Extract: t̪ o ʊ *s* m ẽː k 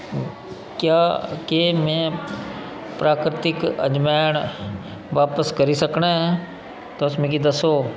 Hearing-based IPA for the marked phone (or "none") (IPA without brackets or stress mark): s